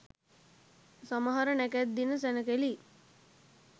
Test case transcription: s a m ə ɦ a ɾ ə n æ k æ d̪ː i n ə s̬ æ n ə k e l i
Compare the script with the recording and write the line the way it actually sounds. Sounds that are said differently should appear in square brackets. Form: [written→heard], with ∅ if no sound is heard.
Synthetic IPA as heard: s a m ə ɦ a ɾ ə n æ k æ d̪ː i n ə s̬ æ n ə k e l i